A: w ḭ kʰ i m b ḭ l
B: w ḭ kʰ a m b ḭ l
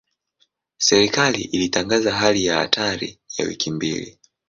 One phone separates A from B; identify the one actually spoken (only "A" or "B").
A